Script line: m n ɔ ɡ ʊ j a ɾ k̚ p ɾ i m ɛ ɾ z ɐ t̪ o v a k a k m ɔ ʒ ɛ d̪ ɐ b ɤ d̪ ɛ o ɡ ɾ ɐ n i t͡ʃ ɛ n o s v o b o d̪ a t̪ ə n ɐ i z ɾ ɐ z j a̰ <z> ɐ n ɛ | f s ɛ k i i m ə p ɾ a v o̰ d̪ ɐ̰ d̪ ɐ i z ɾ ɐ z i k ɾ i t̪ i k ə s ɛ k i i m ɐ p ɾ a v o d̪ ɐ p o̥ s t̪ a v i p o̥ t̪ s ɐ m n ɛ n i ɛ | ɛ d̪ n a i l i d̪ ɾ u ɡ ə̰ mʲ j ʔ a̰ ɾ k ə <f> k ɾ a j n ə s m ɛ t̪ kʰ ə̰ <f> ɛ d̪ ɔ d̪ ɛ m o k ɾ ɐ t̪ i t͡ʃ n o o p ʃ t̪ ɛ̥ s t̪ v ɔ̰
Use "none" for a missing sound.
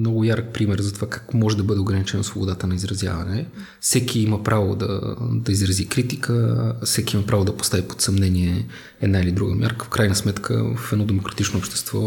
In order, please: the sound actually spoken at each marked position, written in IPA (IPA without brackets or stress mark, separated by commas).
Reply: v, f, f